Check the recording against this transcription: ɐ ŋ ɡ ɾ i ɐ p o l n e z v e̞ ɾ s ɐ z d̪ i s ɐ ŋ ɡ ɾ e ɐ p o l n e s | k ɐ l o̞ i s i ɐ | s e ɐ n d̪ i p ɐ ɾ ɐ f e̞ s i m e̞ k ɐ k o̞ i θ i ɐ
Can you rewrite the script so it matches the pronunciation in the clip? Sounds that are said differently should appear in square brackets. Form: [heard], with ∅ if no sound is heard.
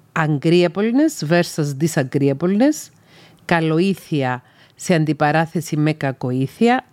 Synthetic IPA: ɐ ŋ ɡ ɾ i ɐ p o l n e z v e̞ ɾ s ɐ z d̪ i s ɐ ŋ ɡ ɾ [i] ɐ p o l n e s | k ɐ l o̞ i [θ] i ɐ | s e ɐ n d̪ i p ɐ ɾ ɐ [θ] e̞ s i m e̞ k ɐ k o̞ i θ i ɐ